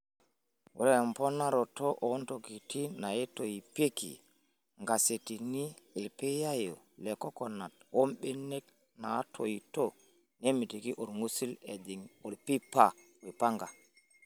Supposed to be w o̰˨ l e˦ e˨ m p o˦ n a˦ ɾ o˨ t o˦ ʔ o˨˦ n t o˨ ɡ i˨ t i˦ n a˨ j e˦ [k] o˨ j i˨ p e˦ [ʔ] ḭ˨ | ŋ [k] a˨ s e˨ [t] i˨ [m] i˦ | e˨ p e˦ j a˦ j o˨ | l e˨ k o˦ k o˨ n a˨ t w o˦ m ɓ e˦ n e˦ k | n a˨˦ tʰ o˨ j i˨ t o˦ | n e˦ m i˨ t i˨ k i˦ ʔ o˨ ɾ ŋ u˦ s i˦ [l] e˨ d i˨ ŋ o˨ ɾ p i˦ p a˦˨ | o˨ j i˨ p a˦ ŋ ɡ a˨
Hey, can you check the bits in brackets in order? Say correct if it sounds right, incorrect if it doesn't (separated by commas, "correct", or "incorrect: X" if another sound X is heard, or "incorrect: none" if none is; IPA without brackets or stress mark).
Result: incorrect: t, incorrect: k, incorrect: ɡ, correct, incorrect: n, correct